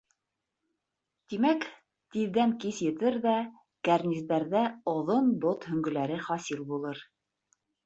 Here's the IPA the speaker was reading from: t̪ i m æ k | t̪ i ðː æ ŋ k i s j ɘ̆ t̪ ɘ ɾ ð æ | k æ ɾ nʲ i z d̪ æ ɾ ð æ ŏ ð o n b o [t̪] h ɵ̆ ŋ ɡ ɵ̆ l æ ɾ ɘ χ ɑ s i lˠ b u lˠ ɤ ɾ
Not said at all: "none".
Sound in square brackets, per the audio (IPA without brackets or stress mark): t̪